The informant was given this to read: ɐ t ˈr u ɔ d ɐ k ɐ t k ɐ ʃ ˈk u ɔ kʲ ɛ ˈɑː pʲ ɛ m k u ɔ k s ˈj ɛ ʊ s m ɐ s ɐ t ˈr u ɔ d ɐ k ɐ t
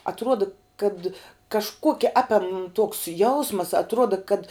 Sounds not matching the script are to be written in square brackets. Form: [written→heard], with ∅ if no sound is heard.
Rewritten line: ɐ t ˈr u ɔ d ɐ k ɐ t k ɐ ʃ ˈk u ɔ kʲ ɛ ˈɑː pʲ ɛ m [k→t] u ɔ k s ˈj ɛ ʊ s m ɐ s ɐ t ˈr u ɔ d ɐ k ɐ t

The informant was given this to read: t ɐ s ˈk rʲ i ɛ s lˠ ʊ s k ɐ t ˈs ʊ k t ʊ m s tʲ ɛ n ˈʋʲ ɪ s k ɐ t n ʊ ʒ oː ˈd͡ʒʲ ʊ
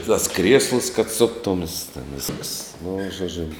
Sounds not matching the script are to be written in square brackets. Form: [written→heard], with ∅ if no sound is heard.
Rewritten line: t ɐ s ˈk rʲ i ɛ s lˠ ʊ s k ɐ t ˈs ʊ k t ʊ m s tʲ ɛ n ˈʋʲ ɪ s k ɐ [t→s] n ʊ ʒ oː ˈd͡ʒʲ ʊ

